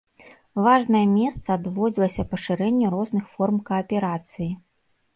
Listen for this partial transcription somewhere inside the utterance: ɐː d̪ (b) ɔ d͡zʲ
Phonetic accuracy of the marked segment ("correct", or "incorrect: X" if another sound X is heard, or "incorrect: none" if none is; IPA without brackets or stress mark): incorrect: v